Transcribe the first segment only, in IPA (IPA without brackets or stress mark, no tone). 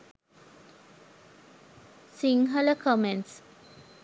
s